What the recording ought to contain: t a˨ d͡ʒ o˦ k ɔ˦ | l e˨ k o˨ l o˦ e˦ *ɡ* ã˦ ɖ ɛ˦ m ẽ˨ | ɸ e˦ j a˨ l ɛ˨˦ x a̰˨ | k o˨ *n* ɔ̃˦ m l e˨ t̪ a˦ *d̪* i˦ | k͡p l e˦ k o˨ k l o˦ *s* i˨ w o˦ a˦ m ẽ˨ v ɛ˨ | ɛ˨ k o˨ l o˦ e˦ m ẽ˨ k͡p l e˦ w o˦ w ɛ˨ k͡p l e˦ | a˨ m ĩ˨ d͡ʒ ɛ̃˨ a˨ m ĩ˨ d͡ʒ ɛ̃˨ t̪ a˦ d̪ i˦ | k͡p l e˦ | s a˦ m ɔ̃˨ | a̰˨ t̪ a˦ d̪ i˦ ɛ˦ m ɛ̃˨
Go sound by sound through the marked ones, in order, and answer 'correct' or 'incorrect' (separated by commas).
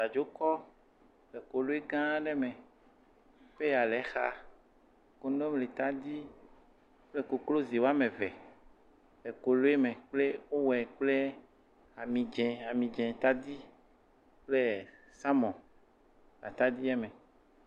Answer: correct, correct, correct, incorrect